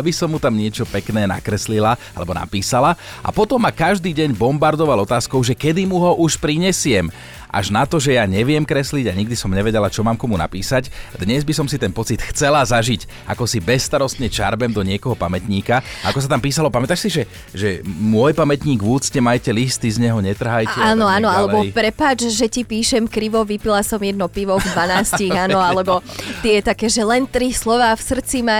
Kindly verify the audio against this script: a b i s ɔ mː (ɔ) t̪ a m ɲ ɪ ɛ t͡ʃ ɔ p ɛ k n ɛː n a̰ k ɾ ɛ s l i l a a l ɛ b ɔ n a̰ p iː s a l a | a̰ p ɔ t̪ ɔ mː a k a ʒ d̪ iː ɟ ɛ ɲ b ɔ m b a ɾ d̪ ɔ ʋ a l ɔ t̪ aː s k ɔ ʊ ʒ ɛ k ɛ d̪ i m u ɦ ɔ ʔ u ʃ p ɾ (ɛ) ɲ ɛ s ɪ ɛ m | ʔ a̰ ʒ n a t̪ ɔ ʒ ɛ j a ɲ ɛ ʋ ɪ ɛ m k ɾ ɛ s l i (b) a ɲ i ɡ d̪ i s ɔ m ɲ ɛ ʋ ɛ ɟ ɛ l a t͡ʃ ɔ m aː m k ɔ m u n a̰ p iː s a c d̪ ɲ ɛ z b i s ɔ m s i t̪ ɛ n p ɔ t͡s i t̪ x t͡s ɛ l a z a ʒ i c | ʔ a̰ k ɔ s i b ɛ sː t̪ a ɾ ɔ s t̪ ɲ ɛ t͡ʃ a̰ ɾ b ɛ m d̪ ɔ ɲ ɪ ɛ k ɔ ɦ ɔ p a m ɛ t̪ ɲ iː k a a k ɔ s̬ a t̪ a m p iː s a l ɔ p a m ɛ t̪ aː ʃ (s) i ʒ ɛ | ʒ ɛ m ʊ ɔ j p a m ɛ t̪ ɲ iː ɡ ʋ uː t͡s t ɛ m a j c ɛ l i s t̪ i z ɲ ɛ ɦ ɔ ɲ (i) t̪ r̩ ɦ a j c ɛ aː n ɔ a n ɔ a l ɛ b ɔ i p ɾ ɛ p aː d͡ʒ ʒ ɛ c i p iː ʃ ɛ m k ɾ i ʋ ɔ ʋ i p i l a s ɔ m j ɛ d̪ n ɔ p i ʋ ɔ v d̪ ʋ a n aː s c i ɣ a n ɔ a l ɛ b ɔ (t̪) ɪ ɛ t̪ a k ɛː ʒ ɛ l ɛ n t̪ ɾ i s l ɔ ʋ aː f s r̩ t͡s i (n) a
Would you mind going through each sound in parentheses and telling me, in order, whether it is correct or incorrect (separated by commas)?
incorrect, incorrect, incorrect, correct, incorrect, correct, incorrect